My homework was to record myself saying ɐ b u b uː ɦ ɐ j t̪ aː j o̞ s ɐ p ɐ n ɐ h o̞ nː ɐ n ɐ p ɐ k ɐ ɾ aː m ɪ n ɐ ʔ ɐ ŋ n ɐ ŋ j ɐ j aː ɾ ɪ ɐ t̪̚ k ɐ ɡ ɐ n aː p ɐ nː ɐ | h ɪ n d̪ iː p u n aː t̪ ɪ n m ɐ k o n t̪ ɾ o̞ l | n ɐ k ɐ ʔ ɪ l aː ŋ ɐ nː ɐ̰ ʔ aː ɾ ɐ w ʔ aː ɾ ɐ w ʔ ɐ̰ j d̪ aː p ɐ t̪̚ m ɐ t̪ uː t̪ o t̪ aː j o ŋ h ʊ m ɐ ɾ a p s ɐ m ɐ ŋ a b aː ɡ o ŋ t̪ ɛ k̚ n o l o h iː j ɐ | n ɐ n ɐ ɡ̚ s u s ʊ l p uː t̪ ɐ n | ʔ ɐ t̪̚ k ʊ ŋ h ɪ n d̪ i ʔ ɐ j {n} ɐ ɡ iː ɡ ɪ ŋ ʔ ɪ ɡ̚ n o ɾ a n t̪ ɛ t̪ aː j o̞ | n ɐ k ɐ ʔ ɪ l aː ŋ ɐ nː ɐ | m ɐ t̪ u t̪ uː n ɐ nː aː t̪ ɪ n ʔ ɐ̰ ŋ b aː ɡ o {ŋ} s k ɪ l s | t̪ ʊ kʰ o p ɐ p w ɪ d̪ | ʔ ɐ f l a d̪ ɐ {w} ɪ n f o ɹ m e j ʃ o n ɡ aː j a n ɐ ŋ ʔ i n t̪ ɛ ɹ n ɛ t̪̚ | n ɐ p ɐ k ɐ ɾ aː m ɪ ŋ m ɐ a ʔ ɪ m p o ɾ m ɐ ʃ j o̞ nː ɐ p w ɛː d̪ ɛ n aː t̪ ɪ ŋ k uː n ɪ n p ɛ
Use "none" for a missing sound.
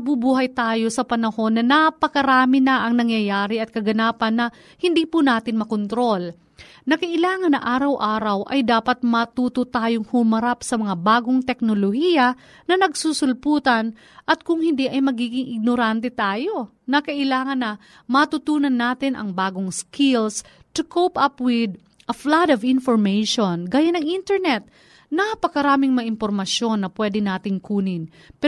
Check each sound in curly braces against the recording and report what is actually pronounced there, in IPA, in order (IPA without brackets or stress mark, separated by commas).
m, ŋ, v